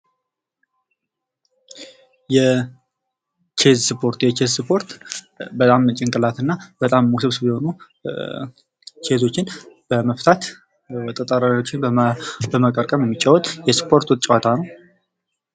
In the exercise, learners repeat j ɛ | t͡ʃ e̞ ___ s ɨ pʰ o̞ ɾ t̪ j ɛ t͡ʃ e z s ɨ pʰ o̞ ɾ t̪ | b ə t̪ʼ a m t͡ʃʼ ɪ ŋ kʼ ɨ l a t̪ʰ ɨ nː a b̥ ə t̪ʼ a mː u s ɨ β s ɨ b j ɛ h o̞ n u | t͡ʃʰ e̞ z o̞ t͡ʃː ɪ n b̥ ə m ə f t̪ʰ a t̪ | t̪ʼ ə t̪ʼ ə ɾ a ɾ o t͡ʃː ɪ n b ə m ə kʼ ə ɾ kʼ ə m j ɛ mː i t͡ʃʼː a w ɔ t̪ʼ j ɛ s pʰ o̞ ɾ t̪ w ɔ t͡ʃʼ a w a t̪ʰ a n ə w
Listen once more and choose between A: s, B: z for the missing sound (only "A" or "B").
B